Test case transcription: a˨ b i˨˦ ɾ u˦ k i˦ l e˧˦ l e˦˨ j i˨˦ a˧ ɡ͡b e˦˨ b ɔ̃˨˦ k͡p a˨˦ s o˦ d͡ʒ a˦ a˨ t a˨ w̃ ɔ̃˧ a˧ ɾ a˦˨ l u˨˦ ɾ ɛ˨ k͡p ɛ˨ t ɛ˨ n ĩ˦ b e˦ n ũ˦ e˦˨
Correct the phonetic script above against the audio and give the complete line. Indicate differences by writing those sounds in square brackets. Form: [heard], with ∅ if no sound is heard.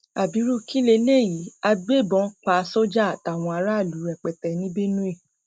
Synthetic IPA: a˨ b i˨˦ ɾ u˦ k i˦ l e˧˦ l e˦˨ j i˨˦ a˧ ɡ͡b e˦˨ b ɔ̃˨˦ k͡p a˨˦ s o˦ d͡ʒ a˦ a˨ t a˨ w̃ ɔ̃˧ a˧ ɾ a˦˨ l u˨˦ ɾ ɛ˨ k͡p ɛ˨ t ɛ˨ n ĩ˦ b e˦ n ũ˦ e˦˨